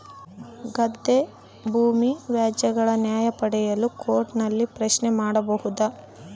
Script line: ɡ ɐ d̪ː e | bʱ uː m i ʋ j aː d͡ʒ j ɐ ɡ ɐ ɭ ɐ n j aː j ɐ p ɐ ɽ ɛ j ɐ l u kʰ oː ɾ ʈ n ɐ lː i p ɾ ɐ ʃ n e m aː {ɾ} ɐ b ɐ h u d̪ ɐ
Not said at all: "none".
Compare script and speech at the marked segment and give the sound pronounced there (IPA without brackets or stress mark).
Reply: ɽ